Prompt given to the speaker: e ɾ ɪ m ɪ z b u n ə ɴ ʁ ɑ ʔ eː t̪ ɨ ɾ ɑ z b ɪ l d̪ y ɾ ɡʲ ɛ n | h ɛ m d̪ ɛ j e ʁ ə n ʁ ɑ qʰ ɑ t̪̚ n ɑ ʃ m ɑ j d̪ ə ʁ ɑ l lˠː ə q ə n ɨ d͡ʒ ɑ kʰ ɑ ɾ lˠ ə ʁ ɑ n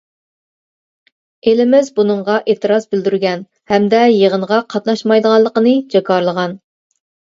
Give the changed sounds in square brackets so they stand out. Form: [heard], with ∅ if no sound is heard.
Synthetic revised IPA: e [l] ɪ m ɪ z b u n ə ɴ ʁ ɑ ʔ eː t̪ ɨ ɾ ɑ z b ɪ l d̪ y ɾ ɡʲ ɛ n | h ɛ m d̪ ɛ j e ʁ ə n ʁ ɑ qʰ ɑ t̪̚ n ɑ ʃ m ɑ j d̪ ə ʁ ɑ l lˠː ə q ə n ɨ d͡ʒ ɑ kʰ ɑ ɾ lˠ ə ʁ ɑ n